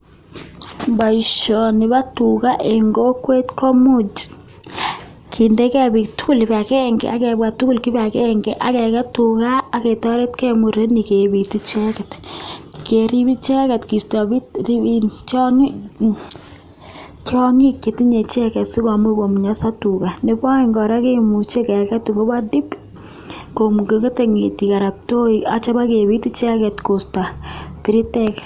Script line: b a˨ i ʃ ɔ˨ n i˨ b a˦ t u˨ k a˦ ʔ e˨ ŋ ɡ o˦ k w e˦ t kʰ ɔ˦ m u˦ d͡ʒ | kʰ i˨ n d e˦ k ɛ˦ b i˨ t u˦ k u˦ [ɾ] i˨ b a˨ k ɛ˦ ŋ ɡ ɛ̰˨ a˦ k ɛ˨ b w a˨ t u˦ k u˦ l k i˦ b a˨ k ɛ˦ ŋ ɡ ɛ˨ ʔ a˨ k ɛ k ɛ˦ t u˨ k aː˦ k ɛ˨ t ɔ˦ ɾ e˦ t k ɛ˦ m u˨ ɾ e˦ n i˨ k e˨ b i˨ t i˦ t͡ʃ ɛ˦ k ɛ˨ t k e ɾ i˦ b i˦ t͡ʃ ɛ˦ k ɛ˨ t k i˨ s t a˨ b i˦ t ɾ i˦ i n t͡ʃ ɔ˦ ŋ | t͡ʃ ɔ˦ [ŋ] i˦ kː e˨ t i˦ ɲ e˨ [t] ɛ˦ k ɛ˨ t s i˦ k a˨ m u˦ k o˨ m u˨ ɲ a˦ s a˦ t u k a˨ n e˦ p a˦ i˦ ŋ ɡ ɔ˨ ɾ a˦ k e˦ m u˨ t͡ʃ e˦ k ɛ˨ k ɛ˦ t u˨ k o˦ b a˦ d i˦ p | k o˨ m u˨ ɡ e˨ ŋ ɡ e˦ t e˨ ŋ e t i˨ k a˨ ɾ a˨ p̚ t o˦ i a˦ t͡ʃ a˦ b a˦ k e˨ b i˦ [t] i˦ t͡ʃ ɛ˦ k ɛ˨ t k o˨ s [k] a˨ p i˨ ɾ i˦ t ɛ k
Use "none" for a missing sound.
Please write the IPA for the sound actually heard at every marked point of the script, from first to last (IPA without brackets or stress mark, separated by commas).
l, ŋ, t͡ʃ, t, t